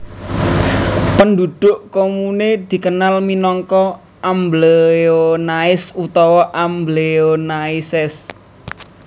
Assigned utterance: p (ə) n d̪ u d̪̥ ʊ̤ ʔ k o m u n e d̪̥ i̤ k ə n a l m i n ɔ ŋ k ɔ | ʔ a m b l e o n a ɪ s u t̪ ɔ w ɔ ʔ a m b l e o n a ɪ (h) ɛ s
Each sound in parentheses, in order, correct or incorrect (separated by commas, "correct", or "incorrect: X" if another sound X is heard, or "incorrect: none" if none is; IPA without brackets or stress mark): correct, incorrect: s